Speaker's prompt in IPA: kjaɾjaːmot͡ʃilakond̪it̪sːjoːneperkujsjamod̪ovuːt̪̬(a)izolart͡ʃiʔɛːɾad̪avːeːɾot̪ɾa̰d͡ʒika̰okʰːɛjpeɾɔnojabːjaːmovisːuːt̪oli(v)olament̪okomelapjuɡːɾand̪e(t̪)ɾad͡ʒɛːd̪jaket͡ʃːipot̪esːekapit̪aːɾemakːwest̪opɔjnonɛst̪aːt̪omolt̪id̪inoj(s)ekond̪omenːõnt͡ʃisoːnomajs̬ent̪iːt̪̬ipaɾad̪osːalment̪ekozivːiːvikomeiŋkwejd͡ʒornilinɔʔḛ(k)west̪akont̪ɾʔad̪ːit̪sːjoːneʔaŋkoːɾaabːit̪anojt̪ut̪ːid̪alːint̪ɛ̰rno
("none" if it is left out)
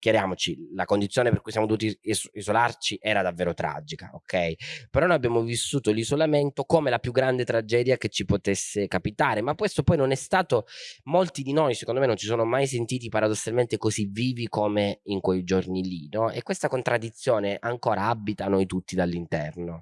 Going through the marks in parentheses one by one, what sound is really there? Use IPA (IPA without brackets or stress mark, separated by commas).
i, z, t̪, s, k